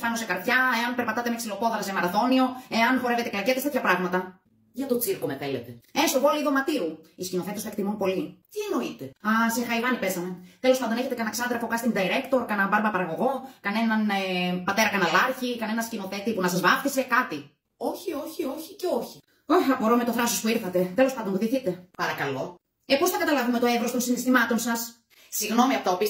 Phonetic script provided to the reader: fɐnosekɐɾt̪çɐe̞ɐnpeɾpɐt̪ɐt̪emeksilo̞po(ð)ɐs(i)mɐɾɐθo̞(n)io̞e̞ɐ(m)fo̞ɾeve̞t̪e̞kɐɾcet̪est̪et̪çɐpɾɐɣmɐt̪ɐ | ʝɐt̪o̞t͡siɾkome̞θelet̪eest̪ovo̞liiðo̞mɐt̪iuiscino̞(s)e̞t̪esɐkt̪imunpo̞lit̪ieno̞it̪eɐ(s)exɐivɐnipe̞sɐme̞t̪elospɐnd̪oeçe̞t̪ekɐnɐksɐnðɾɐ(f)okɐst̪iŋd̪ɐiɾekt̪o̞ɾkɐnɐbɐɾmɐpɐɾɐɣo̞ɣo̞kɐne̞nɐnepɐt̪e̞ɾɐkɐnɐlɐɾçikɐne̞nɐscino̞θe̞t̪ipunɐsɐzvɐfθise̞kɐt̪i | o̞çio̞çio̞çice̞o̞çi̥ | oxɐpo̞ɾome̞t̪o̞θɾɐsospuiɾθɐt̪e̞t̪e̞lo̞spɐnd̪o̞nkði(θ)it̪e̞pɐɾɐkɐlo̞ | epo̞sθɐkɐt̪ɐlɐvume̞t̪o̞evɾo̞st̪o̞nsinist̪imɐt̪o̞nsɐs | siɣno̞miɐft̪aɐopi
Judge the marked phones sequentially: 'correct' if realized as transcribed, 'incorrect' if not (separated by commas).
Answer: correct, incorrect, correct, incorrect, incorrect, correct, correct, correct